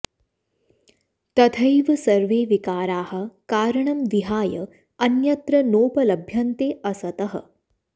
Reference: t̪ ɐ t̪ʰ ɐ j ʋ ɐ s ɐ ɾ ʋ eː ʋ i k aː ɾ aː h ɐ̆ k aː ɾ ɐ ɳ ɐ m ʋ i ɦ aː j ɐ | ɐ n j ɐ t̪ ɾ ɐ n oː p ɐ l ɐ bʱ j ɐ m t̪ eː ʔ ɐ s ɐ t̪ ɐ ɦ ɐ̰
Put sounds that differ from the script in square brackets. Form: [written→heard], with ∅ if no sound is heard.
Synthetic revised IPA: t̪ ɐ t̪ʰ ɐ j ʋ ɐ s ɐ ɾ ʋ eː ʋ i k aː ɾ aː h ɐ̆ k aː ɾ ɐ ɳ ɐ m ʋ i ɦ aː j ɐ | ɐ n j ɐ t̪ ɾ ɐ n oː p ɐ l ɐ bʱ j ɐ [m→n] t̪ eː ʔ ɐ s ɐ t̪ ɐ ɦ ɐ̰